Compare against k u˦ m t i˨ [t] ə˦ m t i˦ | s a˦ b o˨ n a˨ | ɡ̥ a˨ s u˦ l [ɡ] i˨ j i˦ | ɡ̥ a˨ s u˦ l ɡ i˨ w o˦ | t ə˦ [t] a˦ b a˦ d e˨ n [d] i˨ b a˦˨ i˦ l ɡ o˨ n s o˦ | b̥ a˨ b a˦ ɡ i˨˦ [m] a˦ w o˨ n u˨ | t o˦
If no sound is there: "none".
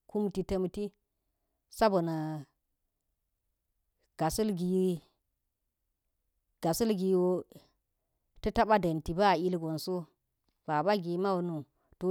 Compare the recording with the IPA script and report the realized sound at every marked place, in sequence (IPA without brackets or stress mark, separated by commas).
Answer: t, ɡ, t, t, m